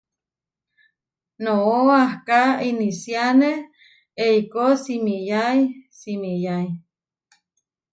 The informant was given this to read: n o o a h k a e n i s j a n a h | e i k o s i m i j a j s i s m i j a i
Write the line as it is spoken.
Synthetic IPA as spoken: n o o a h k a i n i s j a n e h | e i k o s i m i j a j s i m i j a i